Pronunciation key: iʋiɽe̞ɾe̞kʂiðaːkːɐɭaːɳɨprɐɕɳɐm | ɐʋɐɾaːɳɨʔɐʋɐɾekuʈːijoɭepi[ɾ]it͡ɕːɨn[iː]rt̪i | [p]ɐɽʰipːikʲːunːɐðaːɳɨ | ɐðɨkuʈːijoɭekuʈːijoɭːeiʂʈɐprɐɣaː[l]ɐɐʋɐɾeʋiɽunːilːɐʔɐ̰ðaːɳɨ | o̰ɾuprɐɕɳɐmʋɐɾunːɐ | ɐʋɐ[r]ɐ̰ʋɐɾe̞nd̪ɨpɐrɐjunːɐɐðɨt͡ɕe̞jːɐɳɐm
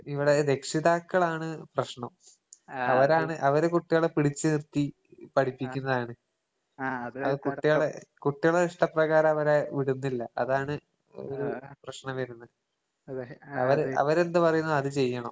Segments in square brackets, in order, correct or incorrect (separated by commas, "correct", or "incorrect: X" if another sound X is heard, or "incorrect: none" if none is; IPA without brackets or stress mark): incorrect: ɽ, incorrect: i, correct, incorrect: ɾ, incorrect: ɾ